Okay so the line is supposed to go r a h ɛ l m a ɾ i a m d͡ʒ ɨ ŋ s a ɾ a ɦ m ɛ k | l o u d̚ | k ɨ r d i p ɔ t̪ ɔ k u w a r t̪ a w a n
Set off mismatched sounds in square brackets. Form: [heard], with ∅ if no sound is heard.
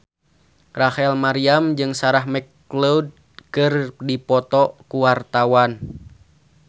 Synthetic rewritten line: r a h ɛ l m a ɾ i a m d͡ʒ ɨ ŋ s a ɾ a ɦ m ɛ k | l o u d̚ | k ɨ r d i p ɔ t̪ ɔ k u w a r t̪ a w a n